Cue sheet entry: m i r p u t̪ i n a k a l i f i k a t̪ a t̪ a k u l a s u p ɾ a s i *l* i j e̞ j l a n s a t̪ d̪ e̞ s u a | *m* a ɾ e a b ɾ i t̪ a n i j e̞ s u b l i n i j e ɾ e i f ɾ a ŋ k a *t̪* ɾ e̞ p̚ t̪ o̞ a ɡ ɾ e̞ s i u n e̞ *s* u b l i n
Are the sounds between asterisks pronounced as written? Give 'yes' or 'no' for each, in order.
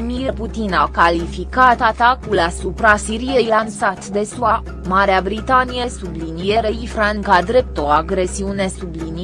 no, yes, no, yes

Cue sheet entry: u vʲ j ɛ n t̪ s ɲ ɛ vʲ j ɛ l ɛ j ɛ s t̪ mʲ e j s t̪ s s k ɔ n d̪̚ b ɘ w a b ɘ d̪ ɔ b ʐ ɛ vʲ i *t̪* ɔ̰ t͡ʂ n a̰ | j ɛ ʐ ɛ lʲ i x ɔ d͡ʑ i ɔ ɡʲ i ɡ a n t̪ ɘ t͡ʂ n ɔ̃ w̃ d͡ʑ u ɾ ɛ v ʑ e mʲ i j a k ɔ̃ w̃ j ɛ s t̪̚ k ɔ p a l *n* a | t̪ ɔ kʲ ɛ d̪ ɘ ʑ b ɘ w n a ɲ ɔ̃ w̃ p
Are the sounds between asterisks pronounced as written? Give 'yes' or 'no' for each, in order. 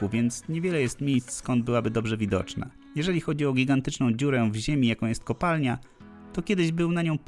no, no

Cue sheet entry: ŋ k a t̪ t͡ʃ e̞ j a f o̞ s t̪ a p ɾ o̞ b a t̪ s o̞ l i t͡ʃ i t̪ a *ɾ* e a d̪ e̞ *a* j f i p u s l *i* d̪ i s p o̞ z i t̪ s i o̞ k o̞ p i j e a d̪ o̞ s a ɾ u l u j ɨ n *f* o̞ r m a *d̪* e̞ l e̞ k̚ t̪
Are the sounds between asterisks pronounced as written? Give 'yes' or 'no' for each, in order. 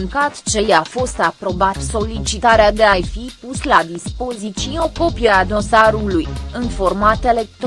yes, yes, no, yes, no

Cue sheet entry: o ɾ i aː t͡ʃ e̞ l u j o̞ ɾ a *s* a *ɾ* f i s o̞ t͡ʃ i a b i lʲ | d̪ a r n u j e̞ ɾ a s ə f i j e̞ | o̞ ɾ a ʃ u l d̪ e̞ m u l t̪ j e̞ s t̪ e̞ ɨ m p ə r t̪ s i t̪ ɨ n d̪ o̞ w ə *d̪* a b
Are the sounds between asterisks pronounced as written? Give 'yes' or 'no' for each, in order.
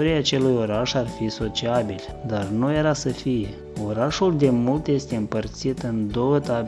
no, no, no

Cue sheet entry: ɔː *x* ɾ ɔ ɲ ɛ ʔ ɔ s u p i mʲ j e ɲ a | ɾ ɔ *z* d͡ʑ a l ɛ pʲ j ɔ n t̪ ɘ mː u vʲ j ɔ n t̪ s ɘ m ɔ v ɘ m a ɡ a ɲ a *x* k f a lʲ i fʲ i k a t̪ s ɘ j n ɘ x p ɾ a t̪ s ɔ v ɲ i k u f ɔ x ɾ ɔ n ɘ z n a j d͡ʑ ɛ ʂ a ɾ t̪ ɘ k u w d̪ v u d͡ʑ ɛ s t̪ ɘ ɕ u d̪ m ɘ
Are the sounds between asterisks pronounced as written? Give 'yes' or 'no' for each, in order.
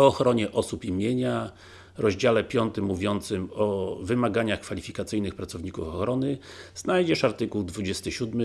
yes, no, yes

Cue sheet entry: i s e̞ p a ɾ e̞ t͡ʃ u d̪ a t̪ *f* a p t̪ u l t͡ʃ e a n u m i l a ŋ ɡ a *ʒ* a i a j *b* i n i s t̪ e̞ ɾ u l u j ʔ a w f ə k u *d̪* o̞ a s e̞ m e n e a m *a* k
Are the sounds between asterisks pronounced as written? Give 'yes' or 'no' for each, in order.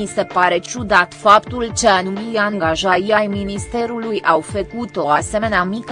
yes, yes, no, no, no

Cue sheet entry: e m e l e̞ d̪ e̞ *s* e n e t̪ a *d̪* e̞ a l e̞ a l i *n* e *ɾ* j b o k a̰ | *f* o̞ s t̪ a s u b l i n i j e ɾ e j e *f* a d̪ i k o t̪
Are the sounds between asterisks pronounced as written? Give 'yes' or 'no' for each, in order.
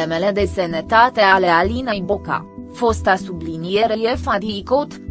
yes, no, yes, no, yes, yes

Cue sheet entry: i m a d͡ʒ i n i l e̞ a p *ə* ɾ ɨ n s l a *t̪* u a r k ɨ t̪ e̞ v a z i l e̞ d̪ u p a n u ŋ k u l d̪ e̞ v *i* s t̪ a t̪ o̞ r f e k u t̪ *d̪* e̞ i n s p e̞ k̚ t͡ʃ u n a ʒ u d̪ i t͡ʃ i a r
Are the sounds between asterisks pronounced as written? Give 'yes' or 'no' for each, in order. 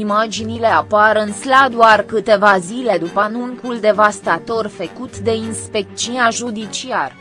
no, no, no, yes

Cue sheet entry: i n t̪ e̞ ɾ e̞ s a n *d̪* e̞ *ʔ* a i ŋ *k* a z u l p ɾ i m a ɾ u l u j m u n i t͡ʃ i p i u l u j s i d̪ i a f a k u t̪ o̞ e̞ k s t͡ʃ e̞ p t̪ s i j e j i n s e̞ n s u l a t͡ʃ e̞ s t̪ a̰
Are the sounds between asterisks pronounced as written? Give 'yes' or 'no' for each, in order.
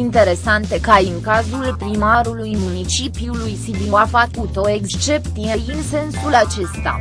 no, no, yes

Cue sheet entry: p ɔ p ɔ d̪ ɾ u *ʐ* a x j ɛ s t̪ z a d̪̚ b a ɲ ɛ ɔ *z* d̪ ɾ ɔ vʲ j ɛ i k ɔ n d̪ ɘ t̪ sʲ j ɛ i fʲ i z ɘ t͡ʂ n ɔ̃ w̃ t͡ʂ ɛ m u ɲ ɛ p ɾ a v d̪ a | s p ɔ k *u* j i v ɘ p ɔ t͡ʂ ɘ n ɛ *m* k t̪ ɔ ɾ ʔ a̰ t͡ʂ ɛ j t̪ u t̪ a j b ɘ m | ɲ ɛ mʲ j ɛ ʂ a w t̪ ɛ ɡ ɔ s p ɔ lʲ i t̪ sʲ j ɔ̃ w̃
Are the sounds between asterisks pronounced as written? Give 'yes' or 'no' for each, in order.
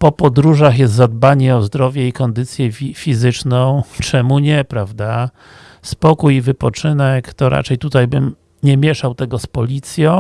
yes, yes, yes, no

